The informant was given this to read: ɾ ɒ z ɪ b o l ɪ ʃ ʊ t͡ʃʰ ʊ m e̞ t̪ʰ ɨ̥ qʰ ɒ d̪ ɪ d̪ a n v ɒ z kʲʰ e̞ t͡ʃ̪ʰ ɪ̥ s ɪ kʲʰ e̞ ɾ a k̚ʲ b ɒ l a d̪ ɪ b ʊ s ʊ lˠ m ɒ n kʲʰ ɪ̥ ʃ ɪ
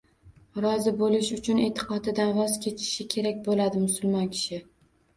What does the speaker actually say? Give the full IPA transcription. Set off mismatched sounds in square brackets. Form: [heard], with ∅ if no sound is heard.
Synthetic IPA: ɾ ɒ z ɪ b o l ɪ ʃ ʊ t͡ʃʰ ʊ [n] e̞ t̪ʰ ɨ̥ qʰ ɒ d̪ ɪ d̪ a n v ɒ z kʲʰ e̞ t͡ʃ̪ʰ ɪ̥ [ʃ] ɪ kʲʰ e̞ ɾ a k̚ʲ b [o] l a d̪ ɪ [m] ʊ s ʊ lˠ m ɒ n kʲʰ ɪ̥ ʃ ɪ